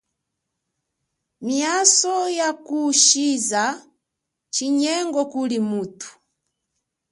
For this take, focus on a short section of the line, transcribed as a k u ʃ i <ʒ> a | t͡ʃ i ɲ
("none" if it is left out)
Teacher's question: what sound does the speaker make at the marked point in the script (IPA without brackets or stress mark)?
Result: z